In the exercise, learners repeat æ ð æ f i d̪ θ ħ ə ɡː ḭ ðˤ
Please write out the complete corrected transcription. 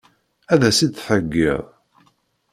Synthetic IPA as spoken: æ ð æ s i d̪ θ ħ ə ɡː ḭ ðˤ